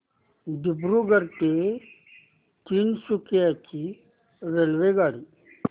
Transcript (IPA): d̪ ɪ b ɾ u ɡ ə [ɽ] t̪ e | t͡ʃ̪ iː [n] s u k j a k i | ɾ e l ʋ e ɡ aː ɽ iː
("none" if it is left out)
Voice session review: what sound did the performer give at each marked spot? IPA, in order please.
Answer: ɾ, n

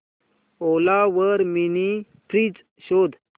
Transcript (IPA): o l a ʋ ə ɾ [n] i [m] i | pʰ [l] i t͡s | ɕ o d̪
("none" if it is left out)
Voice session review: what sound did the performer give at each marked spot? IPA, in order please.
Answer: m, n, ɾ

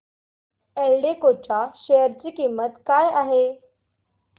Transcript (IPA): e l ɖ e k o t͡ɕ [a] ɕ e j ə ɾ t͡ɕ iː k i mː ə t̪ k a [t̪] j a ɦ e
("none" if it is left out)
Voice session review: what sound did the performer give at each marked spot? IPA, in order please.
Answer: a, none

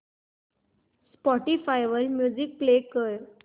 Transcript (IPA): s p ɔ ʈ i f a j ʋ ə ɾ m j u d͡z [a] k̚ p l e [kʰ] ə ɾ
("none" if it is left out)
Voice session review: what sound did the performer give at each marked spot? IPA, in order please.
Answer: i, k

